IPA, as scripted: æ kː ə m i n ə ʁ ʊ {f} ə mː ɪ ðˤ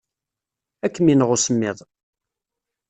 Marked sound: incorrect: s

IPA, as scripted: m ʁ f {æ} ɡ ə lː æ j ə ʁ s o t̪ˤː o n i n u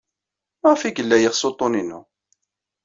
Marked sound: incorrect: i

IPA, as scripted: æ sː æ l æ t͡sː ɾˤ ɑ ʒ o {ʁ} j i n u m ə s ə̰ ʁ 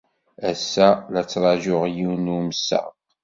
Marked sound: correct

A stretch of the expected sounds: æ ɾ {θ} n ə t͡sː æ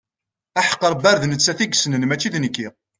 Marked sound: incorrect: ð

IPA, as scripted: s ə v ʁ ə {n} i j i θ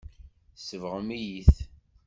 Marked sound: incorrect: m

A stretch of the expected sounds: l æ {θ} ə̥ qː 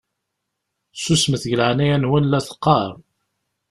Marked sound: correct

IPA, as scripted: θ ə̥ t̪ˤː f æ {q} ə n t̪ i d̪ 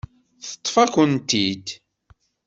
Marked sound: incorrect: k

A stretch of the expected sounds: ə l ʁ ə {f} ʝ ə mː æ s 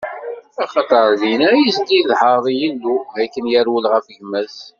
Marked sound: correct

